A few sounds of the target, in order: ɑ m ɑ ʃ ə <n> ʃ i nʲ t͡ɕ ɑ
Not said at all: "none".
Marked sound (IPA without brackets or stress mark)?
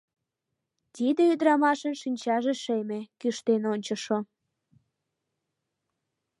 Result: n